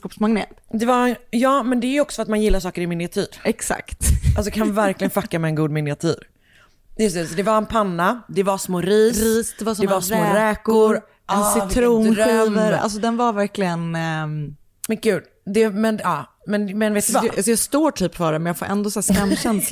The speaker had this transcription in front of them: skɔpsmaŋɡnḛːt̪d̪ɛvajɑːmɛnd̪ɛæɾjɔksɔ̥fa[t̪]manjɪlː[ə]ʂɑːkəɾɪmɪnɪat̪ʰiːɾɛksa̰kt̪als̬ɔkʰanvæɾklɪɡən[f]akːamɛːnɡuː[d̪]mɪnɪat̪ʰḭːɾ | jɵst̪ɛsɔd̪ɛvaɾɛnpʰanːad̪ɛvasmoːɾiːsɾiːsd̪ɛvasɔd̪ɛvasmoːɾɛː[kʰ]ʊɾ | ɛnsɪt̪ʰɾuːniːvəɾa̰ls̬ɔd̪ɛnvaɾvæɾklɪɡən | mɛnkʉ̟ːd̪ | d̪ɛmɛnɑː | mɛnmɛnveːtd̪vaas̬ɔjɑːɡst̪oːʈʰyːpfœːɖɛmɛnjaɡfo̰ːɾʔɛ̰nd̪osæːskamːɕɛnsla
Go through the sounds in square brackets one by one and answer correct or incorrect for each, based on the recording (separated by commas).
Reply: correct, incorrect, correct, correct, incorrect